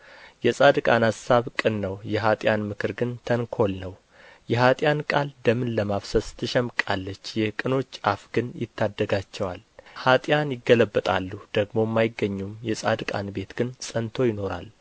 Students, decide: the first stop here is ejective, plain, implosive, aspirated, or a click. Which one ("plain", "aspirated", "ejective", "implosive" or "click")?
plain